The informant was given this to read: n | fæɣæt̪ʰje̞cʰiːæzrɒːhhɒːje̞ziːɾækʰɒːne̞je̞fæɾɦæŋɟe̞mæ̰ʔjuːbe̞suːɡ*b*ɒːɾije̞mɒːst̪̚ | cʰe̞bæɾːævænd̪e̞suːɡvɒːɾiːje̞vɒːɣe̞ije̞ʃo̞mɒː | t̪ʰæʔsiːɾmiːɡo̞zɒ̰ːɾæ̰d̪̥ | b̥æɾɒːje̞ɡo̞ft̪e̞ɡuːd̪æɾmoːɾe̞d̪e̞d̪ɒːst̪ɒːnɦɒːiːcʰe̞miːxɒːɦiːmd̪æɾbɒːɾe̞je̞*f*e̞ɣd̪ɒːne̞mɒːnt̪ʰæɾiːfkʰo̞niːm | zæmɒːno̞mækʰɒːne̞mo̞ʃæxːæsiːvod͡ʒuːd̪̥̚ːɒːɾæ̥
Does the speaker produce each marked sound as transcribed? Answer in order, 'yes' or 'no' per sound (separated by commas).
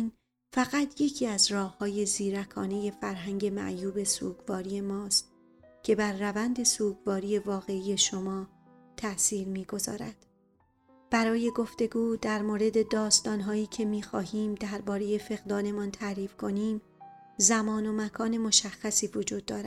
no, yes